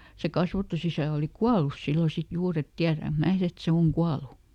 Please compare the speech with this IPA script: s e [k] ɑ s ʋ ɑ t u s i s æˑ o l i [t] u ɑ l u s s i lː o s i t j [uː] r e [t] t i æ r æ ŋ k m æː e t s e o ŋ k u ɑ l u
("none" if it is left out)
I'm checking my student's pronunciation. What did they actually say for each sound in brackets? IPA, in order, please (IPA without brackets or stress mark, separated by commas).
k, k, uː, t